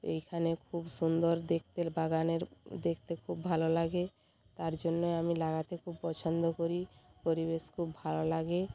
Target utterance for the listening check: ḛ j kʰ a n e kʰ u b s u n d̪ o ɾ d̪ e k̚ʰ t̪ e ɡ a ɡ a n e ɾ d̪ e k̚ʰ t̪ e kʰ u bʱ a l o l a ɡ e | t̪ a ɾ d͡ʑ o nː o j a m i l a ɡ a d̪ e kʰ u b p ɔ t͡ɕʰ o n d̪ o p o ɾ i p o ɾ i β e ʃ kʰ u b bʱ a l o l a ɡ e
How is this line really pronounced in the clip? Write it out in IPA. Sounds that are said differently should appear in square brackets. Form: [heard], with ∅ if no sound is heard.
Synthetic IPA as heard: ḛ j kʰ a n e kʰ u b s u n d̪ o ɾ d̪ e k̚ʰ t̪ e [b] a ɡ a n e ɾ d̪ e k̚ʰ t̪ e kʰ u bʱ a l o l a ɡ e | t̪ a ɾ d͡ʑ o nː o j a m i l a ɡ a [t̪] e kʰ u b p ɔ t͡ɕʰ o n d̪ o [k] o ɾ i p o ɾ i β e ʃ kʰ u b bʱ a l o l a ɡ e